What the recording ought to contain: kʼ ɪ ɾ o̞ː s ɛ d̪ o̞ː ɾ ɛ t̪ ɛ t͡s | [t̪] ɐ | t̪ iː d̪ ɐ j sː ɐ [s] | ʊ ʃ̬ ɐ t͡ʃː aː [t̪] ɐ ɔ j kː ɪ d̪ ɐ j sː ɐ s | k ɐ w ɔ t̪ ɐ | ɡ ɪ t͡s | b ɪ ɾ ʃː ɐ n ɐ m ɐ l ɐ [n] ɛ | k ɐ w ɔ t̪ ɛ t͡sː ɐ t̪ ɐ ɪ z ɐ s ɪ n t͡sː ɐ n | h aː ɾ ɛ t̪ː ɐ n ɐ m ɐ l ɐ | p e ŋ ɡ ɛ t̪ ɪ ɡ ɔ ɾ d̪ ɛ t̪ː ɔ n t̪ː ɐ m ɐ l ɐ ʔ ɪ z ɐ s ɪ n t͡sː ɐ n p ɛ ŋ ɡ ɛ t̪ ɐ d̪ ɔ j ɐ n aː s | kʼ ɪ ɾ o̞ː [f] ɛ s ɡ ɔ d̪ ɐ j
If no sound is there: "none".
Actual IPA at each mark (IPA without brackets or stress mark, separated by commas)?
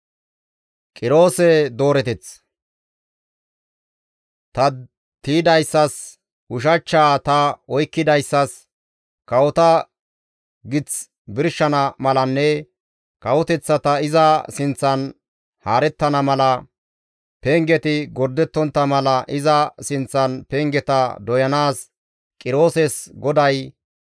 t̪, s, t̪, nː, s